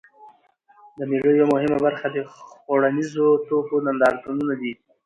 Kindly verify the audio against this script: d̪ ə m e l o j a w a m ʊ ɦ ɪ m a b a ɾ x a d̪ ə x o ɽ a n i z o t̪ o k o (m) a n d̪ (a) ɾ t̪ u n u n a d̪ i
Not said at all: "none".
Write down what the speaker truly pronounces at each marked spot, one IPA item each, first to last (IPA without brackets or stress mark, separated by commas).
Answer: n, ɑ